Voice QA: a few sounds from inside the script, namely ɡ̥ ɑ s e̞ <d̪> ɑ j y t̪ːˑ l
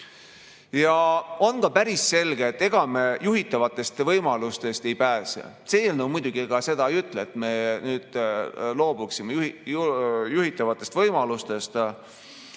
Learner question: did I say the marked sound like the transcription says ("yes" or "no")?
yes